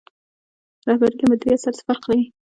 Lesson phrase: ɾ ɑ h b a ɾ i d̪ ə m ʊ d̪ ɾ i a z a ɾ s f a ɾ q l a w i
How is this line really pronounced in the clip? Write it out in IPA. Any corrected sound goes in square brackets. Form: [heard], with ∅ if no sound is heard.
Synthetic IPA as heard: ɾ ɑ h b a ɾ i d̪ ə m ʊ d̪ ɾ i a [s] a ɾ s f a ɾ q l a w i